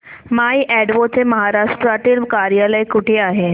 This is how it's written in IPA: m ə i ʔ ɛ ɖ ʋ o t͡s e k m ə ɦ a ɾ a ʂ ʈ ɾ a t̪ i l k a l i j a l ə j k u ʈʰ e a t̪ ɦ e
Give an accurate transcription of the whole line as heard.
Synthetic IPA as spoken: m a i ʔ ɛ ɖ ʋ o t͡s e m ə ɦ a ɾ a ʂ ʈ ɾ a t̪ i l k a ɾ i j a l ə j k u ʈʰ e a ɦ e